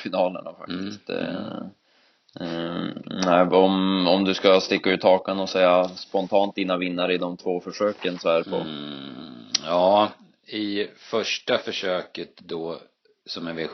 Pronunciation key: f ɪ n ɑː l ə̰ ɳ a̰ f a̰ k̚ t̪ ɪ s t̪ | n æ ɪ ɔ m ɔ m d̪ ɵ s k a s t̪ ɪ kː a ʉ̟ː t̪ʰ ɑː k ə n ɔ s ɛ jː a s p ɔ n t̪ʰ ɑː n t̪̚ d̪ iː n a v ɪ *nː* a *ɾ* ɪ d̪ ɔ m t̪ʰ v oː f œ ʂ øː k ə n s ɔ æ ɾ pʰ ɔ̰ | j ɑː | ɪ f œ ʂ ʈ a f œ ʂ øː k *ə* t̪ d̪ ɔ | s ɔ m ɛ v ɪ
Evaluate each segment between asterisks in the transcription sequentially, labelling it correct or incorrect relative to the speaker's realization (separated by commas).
correct, correct, correct